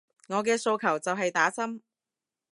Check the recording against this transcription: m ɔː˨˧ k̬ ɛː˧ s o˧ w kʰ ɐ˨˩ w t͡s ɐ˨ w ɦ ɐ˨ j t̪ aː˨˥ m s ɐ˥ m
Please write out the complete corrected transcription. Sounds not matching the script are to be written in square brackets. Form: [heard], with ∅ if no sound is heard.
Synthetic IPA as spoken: [ŋ] ɔː˨˧ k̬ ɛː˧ s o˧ w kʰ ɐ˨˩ w t͡s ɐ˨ w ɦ ɐ˨ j t̪ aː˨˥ [∅] s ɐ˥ m